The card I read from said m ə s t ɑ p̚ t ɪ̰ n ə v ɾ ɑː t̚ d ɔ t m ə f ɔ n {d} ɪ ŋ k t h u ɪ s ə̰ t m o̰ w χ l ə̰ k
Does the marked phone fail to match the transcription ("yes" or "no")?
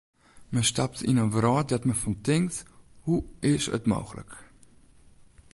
yes